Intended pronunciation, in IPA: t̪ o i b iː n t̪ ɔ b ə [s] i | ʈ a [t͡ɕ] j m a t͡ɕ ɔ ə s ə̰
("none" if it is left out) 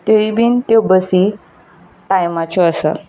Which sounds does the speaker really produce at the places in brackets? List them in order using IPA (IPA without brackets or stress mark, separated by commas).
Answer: s, none